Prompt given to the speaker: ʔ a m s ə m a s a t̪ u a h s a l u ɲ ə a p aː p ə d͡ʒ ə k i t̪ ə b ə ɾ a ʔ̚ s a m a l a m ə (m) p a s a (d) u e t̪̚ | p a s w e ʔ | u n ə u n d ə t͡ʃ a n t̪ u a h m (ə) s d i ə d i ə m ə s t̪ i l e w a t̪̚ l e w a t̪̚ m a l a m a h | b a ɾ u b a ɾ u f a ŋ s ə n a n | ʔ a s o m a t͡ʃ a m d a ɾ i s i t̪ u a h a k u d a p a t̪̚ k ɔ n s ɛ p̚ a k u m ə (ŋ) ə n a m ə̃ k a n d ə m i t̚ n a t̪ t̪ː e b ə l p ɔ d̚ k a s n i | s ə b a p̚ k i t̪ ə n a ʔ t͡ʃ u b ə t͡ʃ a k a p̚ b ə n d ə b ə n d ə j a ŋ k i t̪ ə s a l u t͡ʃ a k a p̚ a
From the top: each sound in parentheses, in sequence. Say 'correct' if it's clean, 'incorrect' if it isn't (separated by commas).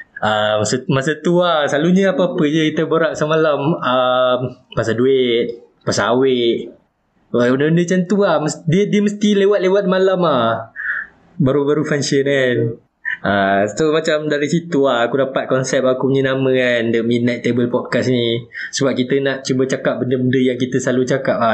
correct, correct, correct, incorrect